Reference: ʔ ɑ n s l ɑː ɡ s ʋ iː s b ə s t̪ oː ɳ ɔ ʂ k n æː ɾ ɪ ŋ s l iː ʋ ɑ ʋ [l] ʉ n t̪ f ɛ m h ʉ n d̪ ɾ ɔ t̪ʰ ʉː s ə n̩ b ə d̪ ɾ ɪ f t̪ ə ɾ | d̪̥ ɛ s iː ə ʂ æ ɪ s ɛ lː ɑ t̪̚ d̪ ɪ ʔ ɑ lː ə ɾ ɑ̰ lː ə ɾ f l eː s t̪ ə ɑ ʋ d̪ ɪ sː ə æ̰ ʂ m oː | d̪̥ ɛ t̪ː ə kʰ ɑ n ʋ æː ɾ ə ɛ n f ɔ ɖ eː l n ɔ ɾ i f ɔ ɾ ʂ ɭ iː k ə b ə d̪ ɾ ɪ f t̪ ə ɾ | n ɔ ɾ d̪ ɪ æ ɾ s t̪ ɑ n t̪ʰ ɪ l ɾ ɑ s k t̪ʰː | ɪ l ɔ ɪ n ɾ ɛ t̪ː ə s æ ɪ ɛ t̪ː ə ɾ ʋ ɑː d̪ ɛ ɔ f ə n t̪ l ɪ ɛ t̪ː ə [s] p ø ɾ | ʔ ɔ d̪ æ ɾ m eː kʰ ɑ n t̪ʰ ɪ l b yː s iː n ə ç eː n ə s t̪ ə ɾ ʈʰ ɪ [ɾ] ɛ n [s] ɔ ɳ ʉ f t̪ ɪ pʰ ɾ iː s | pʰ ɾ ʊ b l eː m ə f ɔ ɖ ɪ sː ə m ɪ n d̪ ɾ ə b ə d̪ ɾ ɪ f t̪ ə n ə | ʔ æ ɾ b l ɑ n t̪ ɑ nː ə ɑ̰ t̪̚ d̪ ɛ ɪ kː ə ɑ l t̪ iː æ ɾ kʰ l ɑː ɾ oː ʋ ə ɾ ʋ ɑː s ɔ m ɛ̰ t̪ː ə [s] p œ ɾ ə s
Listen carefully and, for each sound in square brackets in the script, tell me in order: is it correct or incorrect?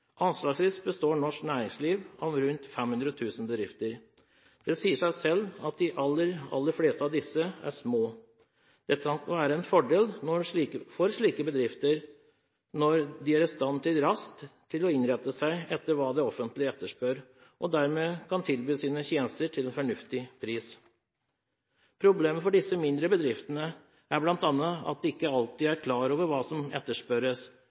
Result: incorrect, incorrect, incorrect, incorrect, incorrect

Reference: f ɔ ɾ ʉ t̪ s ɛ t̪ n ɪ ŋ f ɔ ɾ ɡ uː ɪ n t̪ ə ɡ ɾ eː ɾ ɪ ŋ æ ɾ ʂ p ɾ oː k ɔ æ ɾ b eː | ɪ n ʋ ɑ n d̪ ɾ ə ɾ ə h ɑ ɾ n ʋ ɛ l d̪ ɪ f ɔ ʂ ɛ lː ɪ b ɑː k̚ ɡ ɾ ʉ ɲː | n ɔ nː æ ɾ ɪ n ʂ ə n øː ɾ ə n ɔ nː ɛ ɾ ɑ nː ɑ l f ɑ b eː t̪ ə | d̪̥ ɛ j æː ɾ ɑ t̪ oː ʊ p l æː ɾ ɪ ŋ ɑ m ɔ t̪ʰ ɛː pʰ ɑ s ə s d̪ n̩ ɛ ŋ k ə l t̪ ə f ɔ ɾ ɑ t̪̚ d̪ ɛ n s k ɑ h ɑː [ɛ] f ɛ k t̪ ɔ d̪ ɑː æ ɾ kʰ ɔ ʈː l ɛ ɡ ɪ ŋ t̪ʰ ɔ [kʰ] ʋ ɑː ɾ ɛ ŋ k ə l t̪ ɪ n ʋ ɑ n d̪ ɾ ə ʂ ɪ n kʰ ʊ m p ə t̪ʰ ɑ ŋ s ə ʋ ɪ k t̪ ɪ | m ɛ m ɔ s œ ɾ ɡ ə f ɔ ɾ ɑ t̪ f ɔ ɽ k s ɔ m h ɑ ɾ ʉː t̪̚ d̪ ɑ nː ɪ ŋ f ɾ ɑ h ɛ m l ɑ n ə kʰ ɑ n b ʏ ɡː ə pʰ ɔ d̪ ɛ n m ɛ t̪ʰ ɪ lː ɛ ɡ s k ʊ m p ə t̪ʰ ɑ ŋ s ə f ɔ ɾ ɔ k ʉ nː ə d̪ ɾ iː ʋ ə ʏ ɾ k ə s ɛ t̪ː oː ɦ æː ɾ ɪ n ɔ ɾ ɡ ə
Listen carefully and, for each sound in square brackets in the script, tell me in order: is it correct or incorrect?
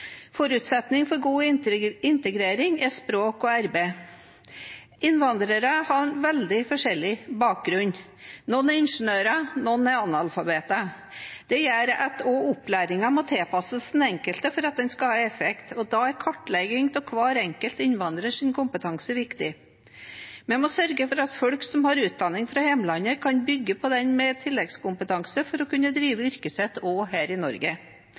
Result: correct, correct

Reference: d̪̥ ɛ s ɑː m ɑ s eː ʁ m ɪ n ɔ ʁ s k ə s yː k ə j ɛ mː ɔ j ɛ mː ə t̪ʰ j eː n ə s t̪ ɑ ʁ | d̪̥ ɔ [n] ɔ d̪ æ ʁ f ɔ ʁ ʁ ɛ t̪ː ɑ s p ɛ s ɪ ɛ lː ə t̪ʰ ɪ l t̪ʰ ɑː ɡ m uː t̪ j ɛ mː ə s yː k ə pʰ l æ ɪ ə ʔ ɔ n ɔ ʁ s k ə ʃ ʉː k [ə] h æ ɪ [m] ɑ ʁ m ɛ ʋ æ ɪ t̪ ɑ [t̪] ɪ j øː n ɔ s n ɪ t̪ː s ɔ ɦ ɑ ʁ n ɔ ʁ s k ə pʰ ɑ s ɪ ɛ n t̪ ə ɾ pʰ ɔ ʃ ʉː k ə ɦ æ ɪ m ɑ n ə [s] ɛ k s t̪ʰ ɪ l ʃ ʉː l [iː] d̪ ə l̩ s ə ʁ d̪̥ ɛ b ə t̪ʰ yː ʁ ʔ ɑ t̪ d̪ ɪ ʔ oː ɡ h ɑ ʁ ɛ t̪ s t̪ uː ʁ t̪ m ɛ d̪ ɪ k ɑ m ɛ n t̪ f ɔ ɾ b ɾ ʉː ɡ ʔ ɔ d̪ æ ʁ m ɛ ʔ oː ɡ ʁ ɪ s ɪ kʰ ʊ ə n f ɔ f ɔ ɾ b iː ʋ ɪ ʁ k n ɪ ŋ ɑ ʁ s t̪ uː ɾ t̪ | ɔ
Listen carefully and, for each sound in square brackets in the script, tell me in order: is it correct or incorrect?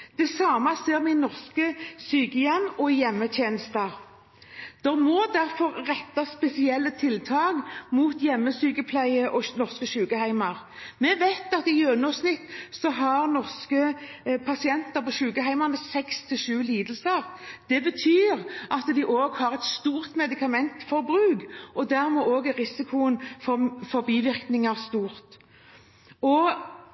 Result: incorrect, correct, correct, correct, correct, correct

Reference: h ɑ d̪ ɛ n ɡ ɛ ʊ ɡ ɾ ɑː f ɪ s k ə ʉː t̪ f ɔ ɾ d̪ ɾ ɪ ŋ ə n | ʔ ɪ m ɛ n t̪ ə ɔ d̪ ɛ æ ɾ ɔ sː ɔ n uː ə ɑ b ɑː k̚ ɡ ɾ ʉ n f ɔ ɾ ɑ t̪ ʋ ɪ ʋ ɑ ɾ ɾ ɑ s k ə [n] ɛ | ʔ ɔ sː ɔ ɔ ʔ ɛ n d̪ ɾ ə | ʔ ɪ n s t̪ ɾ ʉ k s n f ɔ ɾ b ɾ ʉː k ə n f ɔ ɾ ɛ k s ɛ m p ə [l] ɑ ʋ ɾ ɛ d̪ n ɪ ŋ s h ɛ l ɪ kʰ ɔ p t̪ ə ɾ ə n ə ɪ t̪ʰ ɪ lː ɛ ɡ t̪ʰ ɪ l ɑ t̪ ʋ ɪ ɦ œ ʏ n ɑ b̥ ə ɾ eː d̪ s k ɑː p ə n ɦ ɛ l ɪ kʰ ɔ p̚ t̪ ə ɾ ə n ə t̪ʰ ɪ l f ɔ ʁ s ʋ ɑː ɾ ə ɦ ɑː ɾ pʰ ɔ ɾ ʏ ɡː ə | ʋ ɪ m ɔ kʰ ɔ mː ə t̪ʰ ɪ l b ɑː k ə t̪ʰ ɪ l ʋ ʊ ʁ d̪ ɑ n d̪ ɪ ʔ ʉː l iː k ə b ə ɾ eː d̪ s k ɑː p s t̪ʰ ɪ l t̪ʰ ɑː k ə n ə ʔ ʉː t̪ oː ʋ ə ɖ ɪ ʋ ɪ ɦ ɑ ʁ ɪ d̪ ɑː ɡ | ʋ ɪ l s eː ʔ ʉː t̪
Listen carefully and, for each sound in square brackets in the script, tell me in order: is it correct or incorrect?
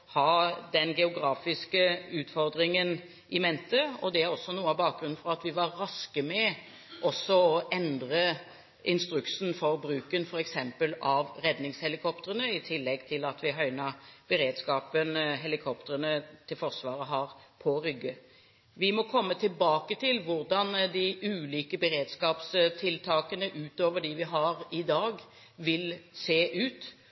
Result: incorrect, correct

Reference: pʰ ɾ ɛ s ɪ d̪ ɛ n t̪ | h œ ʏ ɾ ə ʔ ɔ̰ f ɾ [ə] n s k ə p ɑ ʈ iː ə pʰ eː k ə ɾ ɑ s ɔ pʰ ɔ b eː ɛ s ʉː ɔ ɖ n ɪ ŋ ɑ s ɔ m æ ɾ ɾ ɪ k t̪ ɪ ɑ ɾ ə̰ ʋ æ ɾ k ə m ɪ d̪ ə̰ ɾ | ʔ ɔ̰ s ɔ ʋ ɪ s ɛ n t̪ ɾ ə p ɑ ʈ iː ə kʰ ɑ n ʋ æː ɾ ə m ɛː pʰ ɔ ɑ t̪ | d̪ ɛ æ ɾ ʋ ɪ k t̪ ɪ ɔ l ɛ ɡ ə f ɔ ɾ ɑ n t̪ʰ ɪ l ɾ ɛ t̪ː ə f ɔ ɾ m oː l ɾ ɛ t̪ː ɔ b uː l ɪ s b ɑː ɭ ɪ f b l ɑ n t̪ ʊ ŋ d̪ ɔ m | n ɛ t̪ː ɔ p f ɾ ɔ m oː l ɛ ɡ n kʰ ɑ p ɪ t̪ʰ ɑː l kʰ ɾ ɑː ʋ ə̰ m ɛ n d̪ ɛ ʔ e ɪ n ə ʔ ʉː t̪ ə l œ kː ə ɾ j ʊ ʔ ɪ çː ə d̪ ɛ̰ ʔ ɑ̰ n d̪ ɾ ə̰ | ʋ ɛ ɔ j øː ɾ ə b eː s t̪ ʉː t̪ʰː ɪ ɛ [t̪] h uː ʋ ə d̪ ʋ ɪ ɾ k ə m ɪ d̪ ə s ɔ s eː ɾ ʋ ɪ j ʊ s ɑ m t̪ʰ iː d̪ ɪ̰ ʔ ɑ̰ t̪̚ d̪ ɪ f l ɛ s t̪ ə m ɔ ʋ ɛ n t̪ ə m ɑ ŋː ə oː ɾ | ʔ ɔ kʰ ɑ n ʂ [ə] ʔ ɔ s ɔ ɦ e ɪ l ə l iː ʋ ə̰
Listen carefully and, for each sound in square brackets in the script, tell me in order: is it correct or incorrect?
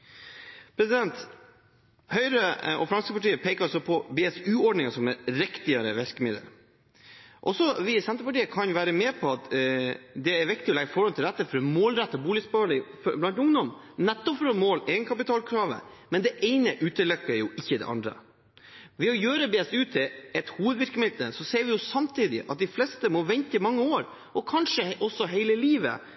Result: incorrect, correct, correct

